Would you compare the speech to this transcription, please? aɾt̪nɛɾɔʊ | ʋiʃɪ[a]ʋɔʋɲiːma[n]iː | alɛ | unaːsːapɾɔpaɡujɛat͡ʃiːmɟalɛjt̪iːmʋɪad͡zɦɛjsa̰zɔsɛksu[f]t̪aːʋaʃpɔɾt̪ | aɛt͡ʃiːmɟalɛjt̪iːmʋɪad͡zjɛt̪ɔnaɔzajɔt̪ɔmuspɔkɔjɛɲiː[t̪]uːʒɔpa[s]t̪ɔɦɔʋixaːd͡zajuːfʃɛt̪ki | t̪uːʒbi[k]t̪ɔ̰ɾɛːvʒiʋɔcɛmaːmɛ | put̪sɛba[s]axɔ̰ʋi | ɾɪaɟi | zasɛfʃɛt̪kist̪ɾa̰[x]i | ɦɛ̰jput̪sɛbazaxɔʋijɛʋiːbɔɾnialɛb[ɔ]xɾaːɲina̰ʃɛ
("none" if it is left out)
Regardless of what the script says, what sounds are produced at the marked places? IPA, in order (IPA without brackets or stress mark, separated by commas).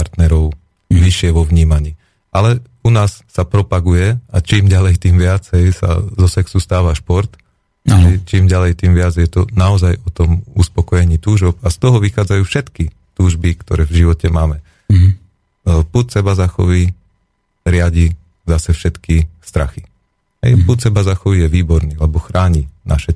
ɛ, ɲ, s, t̪, s, k, z, x, ɔ